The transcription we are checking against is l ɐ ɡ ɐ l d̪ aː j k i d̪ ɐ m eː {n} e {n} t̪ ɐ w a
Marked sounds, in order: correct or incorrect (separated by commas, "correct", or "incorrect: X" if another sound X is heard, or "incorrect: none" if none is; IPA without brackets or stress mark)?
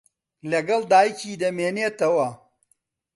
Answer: correct, incorrect: none